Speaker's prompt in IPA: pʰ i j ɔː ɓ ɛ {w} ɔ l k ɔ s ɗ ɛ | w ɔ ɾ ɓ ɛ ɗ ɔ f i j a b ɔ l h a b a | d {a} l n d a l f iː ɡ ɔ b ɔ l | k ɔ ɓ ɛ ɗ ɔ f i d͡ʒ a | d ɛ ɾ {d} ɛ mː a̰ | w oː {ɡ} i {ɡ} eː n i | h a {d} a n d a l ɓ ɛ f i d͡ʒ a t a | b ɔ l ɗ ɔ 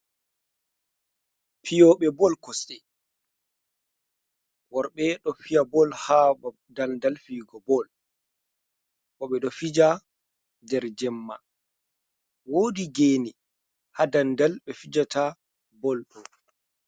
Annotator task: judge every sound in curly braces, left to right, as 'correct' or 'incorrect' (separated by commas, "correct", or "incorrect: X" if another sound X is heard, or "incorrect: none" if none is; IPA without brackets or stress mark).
incorrect: b, correct, incorrect: d͡ʒ, incorrect: d, correct, correct